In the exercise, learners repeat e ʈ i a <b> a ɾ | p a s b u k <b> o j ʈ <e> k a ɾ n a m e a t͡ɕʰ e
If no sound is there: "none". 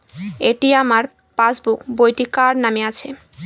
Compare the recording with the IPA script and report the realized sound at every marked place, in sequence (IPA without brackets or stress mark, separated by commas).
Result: m, b, i